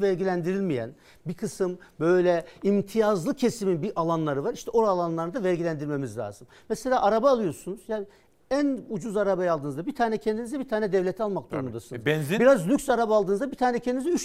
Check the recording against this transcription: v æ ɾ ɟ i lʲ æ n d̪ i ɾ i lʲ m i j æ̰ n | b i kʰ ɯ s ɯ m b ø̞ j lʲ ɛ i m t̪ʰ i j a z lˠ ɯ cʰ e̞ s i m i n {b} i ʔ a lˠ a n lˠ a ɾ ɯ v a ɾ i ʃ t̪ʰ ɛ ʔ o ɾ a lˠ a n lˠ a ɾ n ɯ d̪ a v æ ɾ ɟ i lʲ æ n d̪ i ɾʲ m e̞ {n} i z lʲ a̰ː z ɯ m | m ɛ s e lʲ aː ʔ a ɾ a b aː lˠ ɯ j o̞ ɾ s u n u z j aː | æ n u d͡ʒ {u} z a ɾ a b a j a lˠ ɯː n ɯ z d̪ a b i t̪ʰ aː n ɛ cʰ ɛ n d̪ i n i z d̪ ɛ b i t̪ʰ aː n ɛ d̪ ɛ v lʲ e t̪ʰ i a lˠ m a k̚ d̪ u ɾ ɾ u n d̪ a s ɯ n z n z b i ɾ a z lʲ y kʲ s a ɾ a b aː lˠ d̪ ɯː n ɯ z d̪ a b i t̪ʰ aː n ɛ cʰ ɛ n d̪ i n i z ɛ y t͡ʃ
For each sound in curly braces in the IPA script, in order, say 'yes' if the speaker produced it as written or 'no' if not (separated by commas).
yes, no, yes